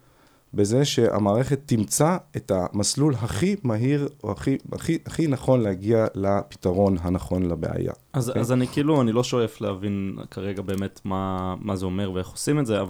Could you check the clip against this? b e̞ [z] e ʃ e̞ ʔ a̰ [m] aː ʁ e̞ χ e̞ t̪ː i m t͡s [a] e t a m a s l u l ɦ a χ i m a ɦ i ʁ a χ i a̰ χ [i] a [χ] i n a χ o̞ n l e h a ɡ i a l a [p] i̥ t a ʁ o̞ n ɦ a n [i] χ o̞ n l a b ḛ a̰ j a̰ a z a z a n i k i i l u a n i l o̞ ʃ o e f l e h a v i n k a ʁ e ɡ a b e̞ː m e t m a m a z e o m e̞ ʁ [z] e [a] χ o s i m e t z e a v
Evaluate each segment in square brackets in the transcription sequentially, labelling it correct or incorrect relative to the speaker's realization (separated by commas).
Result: correct, correct, correct, correct, correct, correct, incorrect, incorrect, incorrect